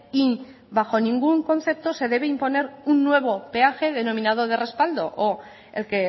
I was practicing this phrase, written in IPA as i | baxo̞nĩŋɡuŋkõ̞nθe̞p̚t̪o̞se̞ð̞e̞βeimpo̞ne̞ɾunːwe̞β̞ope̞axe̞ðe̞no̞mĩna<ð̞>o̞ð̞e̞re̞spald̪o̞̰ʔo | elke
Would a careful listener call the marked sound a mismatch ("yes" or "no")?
no